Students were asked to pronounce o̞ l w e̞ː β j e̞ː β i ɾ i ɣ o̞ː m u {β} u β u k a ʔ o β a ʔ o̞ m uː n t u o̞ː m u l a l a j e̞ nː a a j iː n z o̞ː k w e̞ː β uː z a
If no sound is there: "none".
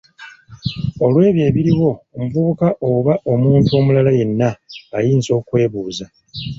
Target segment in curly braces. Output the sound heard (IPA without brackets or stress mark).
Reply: v